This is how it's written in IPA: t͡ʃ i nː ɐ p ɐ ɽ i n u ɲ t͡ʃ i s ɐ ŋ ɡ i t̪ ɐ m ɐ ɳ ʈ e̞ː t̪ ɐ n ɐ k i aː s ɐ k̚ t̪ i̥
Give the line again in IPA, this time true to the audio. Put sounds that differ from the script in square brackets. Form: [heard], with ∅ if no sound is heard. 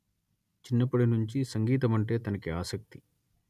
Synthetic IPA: t͡ʃ i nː ɐ p ɐ ɽ i n u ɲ t͡ʃ i s ɐ ŋ ɡ [iː] t̪ ɐ m ɐ ɳ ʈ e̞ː t̪ ɐ n ɐ k i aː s ɐ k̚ t̪ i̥